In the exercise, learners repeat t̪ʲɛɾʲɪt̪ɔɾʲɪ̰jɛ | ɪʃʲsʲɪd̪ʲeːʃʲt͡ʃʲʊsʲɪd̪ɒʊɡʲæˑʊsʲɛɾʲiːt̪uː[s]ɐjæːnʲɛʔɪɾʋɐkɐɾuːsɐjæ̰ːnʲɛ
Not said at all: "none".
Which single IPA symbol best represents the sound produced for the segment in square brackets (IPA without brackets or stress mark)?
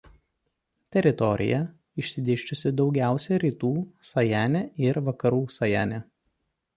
s